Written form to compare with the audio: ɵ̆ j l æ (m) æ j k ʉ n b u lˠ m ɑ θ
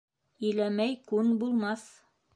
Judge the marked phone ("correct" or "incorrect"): correct